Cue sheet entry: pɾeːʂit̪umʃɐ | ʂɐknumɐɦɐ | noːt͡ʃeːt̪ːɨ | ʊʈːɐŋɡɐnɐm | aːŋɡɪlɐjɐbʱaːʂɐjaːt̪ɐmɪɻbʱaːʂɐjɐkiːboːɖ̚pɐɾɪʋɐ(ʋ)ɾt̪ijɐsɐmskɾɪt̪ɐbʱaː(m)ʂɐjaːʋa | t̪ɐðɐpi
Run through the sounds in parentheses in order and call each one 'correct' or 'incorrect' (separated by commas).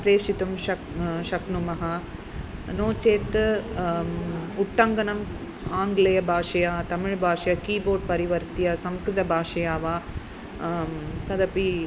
incorrect, incorrect